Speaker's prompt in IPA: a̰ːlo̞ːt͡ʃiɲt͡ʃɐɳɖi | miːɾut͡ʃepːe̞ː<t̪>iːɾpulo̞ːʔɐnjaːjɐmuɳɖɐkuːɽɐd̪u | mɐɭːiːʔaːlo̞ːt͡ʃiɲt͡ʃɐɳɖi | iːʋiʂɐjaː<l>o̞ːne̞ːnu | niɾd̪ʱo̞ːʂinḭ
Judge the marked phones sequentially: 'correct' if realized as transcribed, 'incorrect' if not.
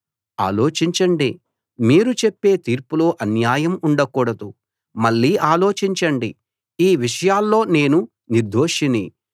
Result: correct, incorrect

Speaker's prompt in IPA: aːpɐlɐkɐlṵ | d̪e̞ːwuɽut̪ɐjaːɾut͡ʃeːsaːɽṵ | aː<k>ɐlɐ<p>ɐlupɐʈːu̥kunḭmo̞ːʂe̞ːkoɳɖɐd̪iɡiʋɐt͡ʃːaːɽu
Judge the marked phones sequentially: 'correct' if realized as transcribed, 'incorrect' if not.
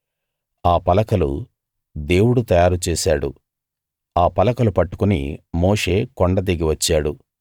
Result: incorrect, incorrect

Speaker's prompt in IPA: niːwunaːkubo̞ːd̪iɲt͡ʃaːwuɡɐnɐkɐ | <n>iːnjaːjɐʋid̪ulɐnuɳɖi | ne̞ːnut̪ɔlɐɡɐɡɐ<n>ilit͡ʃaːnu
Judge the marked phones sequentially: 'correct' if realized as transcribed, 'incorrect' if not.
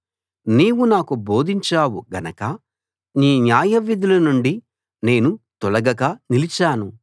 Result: correct, correct

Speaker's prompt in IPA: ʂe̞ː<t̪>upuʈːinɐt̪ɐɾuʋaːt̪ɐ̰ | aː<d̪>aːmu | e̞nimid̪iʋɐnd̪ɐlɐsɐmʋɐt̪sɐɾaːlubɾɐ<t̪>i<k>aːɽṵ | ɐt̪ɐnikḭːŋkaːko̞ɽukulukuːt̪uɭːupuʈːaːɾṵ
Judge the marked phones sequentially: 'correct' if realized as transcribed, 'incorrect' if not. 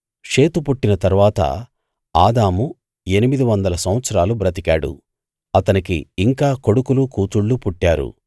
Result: correct, correct, correct, correct

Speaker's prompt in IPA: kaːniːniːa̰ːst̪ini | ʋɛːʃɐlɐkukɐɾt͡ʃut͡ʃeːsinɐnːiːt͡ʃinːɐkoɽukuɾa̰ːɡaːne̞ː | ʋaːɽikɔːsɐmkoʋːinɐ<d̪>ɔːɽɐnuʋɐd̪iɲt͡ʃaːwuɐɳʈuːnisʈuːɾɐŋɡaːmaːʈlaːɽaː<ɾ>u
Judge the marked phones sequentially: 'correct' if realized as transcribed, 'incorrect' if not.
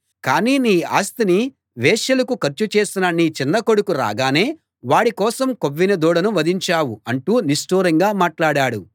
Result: correct, incorrect

